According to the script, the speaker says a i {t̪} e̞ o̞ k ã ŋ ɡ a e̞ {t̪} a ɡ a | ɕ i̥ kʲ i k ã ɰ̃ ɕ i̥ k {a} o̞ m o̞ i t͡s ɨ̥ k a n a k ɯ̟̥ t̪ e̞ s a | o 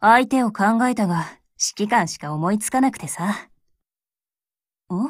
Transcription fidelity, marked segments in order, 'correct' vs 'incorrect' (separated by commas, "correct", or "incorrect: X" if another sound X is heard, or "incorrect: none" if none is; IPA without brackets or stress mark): correct, correct, correct